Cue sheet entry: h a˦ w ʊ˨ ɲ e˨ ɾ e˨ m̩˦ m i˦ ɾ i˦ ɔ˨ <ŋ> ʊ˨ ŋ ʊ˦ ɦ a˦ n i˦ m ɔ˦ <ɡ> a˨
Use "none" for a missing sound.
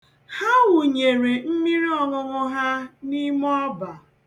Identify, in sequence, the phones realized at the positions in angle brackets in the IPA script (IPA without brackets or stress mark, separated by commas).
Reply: ŋ, b